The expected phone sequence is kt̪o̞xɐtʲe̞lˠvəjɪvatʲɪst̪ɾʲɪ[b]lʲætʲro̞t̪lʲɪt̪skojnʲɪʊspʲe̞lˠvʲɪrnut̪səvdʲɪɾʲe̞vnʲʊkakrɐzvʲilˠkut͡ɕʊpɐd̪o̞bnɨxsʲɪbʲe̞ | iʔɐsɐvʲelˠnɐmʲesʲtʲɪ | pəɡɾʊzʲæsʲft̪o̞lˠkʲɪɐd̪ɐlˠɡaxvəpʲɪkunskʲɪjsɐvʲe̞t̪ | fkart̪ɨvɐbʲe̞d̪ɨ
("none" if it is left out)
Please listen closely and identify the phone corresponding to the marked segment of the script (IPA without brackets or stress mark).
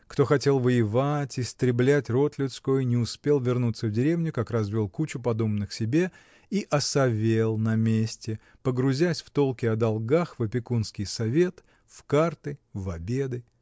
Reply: b